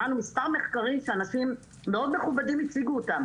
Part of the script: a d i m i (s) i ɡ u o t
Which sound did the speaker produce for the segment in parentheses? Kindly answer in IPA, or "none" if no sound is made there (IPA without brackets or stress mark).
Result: t͡s